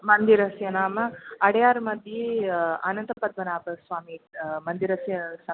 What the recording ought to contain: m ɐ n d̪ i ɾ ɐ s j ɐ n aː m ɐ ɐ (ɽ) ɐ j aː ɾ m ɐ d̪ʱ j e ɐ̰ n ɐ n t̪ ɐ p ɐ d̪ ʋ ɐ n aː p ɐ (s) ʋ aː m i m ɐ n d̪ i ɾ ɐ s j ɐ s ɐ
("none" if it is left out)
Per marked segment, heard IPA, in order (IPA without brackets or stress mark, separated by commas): ɽ, s